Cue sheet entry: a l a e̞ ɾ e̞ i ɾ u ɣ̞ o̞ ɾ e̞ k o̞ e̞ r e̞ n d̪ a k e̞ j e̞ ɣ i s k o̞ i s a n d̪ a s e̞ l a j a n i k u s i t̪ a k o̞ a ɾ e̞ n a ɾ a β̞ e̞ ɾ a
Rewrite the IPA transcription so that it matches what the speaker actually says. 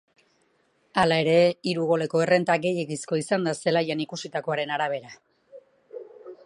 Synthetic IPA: a l a e̞ ɾ e̞ i ɾ u ɣ̞ o̞ l e̞ k o̞ e̞ r e̞ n t̪ a ɡ e̞ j e̞ ɣ i s k o̞ i s a n d̪ a s e̞ l a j a n i k u s i t̪ a k o̞ a ɾ e̞ n a ɾ a β̞ e̞ ɾ a